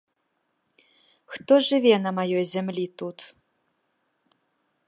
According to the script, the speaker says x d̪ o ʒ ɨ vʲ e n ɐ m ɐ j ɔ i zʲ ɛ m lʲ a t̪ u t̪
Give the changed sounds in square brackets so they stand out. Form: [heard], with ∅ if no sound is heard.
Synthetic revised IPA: x [t̪] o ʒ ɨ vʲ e n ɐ m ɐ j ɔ [j] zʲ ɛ m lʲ [i] t̪ u t̪